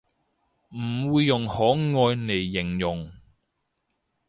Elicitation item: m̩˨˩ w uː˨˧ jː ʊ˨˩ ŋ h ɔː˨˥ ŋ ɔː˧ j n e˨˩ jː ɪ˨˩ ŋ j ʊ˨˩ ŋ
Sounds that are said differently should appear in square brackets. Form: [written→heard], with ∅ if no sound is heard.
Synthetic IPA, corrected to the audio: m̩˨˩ w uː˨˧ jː ʊ˨˩ ŋ h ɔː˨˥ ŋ ɔː˧ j n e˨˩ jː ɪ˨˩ ŋ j ʊ˨˩ ŋ